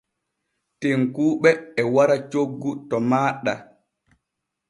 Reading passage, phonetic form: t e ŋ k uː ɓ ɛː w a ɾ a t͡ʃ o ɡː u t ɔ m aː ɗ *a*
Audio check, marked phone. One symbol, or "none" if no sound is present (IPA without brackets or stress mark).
a